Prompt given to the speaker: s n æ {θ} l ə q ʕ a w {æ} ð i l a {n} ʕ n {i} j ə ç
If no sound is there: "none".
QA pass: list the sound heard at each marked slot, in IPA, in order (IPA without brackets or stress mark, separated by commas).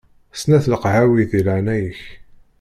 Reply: θ, i, none, æ